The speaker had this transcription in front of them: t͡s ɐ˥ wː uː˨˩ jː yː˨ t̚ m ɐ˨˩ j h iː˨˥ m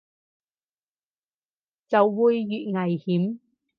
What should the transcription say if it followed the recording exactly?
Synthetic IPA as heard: t͡s ɐ˨ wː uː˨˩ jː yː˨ t̚ ŋ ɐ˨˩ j h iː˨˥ m